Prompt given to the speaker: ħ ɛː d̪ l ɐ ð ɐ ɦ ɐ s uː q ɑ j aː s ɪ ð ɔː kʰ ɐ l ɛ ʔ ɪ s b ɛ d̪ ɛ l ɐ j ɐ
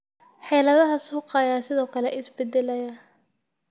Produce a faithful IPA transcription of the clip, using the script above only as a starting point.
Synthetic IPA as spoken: ħ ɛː l ɐ ð ɐ ɦ ɐ s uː q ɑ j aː s ɪ ð ɔː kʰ ɐ l ɛ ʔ ɪ s b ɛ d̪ ɛ l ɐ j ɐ